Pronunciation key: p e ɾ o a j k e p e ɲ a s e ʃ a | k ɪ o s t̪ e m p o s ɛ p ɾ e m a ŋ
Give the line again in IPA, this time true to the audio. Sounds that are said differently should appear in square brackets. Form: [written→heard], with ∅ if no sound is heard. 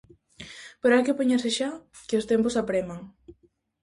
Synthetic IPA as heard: p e ɾ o a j k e p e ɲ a s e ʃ a | k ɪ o s t̪ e m p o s [ɛ→a] p ɾ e m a ŋ